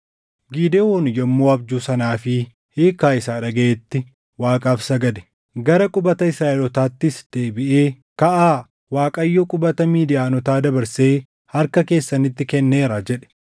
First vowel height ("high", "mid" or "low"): high